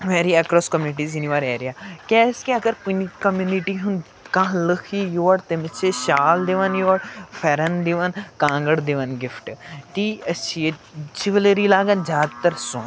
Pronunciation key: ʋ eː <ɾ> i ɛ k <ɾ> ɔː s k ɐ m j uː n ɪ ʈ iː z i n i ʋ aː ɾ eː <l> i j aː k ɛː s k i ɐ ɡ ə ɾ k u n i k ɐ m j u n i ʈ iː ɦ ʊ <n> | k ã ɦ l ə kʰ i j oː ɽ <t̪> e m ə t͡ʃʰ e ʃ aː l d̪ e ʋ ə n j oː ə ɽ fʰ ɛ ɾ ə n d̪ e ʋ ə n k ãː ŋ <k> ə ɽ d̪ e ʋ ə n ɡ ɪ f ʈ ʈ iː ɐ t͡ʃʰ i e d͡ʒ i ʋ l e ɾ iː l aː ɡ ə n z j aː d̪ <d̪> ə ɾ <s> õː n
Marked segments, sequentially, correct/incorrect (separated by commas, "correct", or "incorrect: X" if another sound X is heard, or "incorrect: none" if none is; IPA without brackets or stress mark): correct, correct, incorrect: ɾ, correct, correct, incorrect: ɡ, incorrect: t̪, correct